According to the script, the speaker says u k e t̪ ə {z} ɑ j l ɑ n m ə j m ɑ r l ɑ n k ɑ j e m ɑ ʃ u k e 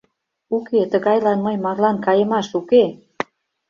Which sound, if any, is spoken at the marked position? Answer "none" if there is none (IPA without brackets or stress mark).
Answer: ɣ